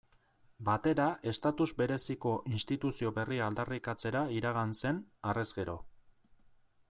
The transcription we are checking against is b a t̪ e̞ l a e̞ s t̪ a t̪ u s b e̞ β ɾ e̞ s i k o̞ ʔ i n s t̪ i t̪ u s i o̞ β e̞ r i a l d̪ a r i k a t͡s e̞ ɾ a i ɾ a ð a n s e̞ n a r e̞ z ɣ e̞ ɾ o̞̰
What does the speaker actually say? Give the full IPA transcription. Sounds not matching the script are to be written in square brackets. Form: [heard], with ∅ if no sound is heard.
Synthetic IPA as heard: b a t̪ e̞ [ɾ] a e̞ s t̪ a t̪ u [z] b e̞ [∅] ɾ e̞ s i k o̞ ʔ i n s t̪ i t̪ u s i o̞ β e̞ r i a l d̪ a r i k a t͡s e̞ ɾ a i ɾ a [ɣ] a n s e̞ n a r e̞ z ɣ e̞ ɾ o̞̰